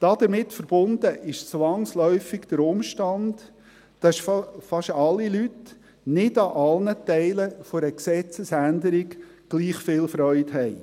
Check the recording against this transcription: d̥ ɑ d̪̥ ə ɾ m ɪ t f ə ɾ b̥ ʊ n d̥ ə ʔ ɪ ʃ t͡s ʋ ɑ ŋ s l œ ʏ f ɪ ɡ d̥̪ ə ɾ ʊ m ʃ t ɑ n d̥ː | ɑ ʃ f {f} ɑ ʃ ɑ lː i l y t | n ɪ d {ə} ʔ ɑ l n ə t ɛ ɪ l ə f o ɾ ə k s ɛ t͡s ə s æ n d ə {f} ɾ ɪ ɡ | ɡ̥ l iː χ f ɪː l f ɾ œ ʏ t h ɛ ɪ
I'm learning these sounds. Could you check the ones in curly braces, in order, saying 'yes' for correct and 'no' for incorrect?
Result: yes, no, no

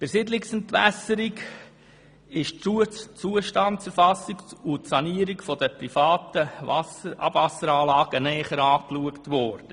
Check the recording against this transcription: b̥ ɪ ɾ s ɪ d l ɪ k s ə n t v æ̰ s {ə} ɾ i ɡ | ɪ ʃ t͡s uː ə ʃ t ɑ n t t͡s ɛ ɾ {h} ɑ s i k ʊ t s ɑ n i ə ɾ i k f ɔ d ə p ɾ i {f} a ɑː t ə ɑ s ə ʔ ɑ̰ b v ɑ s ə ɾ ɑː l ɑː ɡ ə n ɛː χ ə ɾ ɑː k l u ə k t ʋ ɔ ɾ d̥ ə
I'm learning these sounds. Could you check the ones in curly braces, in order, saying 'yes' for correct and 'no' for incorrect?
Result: yes, no, yes

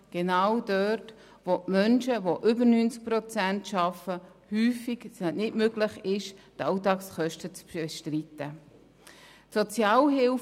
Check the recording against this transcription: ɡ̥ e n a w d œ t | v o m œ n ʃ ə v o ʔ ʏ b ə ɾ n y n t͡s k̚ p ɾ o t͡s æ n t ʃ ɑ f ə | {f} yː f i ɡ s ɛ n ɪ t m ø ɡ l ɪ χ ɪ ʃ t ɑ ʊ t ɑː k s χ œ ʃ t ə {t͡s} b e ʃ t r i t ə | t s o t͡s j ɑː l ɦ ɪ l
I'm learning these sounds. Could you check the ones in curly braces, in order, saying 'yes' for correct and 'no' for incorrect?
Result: no, yes

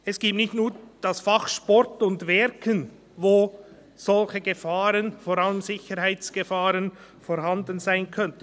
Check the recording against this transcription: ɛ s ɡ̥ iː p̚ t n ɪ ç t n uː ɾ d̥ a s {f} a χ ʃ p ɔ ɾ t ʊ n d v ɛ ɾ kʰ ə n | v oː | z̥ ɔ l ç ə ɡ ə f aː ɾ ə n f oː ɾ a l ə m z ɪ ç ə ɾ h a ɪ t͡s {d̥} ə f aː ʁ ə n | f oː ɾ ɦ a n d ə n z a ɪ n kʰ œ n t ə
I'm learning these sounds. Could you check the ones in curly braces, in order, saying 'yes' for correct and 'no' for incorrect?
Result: yes, no

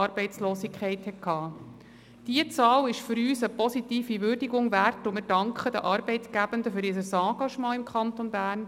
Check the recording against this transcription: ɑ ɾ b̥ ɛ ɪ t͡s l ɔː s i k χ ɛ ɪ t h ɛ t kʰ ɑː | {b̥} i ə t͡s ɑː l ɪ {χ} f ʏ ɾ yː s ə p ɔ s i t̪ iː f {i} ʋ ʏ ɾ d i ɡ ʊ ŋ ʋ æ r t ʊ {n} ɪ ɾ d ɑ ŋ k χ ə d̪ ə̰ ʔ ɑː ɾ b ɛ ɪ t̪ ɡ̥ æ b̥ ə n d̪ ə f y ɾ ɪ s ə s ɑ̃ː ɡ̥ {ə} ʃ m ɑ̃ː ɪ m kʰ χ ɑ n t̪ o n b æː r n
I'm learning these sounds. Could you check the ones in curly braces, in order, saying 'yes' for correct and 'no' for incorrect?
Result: no, no, yes, no, no

